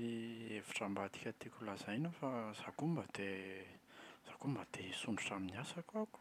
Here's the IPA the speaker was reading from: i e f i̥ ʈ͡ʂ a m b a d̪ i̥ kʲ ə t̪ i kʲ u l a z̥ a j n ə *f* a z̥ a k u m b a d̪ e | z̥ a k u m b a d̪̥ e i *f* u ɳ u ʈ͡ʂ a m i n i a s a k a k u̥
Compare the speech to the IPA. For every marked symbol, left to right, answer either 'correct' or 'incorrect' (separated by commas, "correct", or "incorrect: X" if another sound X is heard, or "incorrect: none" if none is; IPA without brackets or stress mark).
correct, incorrect: s